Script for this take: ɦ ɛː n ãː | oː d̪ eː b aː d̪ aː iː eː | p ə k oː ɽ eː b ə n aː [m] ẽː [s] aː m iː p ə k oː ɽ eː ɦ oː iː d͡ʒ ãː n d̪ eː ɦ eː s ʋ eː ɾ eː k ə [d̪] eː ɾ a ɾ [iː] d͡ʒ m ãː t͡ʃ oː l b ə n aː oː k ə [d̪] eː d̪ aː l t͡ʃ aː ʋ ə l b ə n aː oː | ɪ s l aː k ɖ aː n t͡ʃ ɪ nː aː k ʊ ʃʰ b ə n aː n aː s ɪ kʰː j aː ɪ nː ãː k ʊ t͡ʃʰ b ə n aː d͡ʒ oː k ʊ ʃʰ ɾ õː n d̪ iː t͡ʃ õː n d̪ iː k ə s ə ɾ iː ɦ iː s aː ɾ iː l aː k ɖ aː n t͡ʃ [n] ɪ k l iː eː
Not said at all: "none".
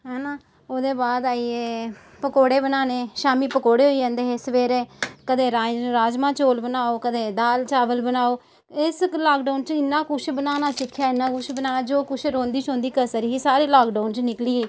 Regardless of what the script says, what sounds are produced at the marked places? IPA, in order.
n, ʃ, d̪, aː, d̪, n

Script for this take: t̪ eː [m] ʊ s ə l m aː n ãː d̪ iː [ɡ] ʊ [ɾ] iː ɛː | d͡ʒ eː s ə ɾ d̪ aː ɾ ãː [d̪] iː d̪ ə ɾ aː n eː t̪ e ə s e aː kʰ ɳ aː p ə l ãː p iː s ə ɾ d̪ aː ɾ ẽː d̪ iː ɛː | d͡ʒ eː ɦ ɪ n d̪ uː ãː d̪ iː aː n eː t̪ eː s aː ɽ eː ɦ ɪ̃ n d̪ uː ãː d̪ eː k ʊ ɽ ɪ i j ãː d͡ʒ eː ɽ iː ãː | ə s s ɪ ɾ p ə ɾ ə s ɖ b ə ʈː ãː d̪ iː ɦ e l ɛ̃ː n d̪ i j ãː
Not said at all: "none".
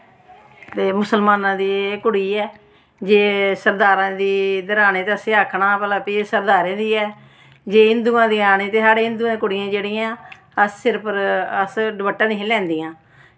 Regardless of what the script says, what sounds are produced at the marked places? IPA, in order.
m, k, ɽ, d̪

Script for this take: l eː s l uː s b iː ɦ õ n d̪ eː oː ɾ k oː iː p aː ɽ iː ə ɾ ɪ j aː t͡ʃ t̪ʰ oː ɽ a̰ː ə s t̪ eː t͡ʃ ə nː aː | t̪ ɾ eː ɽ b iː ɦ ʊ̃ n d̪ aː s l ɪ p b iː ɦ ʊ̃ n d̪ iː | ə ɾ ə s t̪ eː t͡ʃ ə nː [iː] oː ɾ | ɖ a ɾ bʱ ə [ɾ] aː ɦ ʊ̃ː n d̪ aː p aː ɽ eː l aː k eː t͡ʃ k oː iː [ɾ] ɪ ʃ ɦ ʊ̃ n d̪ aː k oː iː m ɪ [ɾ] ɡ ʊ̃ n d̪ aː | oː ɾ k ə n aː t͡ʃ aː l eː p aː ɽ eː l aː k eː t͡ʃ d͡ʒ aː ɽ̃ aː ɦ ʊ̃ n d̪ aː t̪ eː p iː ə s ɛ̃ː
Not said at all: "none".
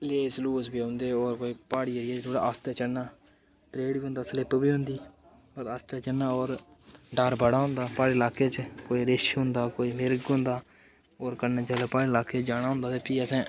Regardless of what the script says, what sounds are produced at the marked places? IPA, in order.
aː, ɽ, ɾ, ɾ

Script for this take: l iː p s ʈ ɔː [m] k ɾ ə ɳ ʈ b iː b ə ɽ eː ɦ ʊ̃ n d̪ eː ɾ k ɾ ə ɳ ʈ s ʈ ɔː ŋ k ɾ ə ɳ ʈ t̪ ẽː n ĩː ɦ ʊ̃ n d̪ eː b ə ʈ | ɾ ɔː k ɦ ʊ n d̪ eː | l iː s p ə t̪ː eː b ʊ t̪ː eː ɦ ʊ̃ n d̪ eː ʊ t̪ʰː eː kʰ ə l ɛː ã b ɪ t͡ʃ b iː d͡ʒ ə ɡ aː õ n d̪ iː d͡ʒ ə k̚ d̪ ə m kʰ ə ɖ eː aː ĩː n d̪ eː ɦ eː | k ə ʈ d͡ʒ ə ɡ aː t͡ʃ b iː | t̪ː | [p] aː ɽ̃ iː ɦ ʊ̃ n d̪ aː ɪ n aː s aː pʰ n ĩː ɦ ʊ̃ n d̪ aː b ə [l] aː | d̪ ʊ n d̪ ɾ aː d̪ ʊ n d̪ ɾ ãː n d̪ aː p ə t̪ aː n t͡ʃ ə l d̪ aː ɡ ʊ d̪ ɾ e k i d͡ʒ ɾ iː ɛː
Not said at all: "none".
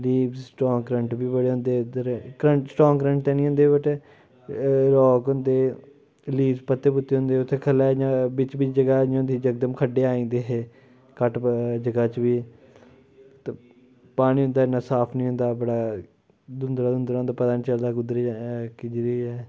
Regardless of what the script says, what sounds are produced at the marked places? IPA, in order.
ŋ, p, ɽ

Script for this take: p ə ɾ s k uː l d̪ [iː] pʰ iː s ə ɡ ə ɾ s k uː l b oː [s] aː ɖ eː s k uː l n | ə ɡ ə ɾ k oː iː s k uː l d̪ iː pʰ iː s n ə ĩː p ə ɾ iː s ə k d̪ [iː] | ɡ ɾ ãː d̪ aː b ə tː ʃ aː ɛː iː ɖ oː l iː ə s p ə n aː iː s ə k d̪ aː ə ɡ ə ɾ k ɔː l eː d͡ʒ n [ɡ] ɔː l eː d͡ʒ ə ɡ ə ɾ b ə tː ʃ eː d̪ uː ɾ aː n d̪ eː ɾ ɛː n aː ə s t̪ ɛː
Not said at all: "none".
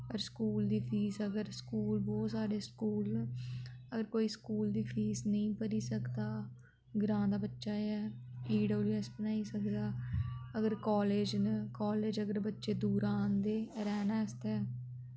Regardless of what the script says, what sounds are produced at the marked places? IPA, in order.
iː, s, aː, k

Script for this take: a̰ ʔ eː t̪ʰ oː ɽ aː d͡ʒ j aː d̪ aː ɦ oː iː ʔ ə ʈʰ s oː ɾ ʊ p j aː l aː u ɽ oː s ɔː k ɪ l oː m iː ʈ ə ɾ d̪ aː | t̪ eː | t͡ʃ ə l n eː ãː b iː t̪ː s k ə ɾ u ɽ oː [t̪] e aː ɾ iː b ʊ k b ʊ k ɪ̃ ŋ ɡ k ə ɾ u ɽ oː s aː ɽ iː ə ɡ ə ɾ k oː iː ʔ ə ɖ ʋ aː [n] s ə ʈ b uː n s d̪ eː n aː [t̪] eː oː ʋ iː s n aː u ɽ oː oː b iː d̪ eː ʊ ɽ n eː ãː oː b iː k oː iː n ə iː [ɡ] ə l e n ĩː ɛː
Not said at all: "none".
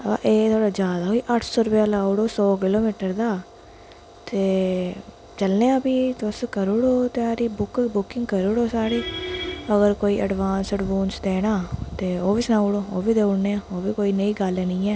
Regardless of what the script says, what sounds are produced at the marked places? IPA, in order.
t̪, n, t̪, ɡ

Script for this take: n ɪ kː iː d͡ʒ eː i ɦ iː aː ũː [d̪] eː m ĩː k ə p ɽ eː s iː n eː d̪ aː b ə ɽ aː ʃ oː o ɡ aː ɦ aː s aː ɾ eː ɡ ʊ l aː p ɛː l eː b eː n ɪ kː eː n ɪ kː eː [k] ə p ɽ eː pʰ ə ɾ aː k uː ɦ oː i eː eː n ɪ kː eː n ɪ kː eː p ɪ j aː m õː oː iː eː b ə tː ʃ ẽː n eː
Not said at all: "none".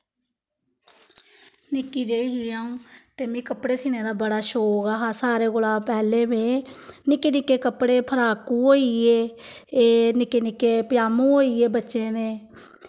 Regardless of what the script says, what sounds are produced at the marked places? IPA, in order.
t̪, k

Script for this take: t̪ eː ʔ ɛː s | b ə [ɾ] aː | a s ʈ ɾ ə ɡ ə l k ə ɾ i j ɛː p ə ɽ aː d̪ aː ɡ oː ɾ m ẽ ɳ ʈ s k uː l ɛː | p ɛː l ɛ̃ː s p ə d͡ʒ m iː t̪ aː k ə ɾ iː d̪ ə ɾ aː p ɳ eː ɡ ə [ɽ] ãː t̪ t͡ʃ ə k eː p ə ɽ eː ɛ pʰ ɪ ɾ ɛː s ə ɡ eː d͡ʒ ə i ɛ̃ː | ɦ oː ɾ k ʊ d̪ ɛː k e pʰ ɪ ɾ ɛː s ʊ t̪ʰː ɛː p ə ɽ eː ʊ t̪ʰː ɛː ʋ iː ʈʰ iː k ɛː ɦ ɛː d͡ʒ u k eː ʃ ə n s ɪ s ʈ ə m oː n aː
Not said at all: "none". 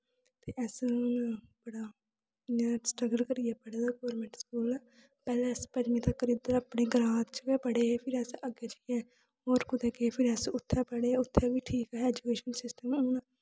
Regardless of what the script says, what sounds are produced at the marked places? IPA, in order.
ɽ, ɾ

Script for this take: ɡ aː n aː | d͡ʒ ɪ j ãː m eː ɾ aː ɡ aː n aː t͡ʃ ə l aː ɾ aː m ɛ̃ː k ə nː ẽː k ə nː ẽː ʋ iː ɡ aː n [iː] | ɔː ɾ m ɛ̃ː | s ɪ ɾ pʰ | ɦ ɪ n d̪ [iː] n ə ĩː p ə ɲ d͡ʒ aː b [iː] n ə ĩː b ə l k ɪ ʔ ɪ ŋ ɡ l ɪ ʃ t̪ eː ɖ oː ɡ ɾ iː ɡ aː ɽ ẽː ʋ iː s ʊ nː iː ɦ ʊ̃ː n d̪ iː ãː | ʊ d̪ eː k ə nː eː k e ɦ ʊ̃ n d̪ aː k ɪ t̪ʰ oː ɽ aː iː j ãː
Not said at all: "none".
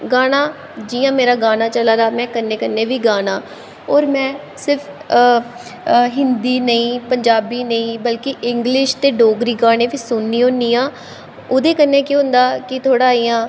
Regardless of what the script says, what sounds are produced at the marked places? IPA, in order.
aː, iː, iː

